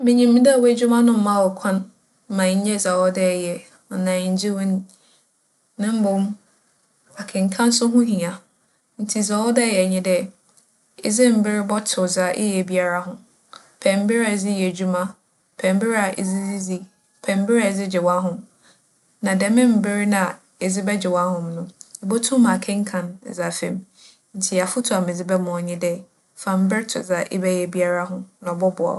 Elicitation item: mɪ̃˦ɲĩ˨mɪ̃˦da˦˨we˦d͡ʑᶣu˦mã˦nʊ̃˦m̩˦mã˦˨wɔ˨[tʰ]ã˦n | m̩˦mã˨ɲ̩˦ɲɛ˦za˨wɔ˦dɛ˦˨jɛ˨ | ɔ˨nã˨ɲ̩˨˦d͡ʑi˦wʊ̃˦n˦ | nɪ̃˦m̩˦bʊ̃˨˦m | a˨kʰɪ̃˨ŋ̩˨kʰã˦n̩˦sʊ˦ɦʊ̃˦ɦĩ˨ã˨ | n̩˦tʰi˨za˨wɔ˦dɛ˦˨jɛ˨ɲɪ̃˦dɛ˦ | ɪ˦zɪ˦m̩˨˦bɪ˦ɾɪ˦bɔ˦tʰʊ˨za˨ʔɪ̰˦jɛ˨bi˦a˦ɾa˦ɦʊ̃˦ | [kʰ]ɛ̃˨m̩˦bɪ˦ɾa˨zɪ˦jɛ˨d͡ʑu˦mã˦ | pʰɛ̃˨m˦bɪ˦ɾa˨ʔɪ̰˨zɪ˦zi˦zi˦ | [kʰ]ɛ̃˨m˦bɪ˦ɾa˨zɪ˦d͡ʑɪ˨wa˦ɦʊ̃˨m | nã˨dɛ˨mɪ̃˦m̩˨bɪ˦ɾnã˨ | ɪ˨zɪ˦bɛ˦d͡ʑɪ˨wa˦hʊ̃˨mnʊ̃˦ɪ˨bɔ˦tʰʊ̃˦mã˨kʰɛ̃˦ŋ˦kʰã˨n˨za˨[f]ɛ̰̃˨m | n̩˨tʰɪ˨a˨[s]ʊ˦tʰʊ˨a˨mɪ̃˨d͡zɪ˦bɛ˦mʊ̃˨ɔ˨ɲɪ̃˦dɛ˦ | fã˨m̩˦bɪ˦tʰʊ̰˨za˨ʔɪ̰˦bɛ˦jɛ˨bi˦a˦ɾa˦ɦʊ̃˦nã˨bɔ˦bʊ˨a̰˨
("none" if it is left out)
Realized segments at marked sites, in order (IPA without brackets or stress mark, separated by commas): kʰ, pʰ, pʰ, f, f